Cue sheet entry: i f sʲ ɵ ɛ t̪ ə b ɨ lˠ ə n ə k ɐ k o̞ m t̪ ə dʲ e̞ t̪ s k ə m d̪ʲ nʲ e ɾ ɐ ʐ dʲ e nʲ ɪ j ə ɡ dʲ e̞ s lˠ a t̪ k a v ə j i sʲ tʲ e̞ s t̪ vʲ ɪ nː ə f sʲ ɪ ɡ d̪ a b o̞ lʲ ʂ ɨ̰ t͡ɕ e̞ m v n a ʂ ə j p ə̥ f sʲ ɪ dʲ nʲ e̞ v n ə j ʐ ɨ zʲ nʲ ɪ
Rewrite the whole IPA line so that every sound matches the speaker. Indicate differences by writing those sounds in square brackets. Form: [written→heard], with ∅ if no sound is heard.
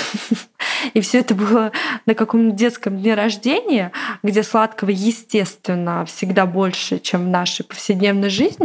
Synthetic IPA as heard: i f sʲ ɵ ɛ t̪ ə b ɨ lˠ ə n ə k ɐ k o̞ m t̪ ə dʲ e̞ t̪ s k ə m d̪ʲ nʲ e ɾ ɐ ʐ dʲ e nʲ ɪ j ə ɡ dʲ e̞ s lˠ a t̪ k [a→ə] v ə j [i→ɪ] sʲ tʲ e̞ s t̪ vʲ ɪ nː ə f sʲ ɪ ɡ d̪ a b o̞ lʲ ʂ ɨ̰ t͡ɕ e̞ m v n a ʂ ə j p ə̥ f sʲ ɪ dʲ nʲ e̞ v n ə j ʐ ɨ zʲ nʲ ɪ